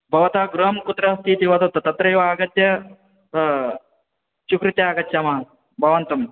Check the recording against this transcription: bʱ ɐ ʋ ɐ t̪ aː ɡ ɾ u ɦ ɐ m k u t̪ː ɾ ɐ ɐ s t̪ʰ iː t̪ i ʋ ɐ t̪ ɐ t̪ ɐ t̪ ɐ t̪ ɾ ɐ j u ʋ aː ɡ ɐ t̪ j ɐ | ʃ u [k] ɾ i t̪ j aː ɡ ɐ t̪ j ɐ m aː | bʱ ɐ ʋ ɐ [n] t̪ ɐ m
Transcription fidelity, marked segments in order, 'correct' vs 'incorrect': correct, correct

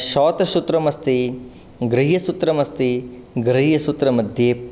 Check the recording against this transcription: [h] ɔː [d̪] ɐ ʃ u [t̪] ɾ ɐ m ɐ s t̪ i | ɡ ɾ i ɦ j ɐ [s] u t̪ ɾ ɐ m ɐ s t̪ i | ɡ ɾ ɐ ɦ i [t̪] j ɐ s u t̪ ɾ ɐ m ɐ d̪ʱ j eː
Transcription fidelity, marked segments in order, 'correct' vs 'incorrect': incorrect, incorrect, correct, correct, incorrect

